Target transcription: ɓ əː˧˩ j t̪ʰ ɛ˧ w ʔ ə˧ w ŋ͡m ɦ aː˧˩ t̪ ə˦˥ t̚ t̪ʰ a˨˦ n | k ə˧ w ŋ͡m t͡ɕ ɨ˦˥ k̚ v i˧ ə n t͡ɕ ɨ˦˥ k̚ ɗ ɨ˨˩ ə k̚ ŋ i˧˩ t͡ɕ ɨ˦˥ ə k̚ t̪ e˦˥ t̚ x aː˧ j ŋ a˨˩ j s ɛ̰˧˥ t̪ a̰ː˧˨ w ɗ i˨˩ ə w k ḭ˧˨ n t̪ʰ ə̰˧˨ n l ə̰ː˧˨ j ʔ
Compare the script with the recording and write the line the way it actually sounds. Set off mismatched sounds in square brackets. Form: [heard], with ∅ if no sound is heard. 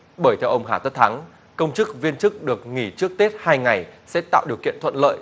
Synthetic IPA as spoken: ɓ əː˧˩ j t̪ʰ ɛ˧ w ʔ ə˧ w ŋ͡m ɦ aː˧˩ t̪ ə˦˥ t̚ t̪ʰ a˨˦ [ŋ] | k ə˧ w ŋ͡m t͡ɕ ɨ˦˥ k̚ v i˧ ə n t͡ɕ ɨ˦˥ k̚ ɗ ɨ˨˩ ə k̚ ŋ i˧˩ t͡ɕ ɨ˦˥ ə k̚ t̪ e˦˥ t̚ [h] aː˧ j ŋ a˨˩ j s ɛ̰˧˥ t̪ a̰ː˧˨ w ɗ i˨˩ ə w k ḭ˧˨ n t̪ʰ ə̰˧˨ n l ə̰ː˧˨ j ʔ